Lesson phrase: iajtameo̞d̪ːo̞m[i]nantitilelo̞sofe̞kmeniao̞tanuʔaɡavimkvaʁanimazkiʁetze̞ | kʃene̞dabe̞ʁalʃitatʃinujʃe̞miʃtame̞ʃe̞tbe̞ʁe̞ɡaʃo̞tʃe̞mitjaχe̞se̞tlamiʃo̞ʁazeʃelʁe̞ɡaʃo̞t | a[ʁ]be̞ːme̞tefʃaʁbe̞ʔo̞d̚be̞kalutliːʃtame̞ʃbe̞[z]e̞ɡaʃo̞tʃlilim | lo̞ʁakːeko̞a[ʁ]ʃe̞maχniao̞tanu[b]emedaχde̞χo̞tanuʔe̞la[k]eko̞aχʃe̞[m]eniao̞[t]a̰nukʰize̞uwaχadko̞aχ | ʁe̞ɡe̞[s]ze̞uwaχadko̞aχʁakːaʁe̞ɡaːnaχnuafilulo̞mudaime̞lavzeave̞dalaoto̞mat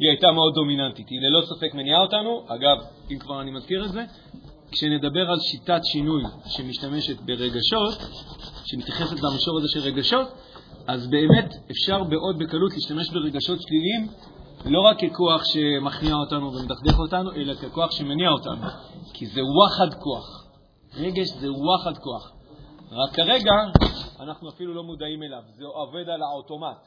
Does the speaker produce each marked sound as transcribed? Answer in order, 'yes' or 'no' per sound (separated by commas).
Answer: yes, no, no, no, no, yes, yes, yes, no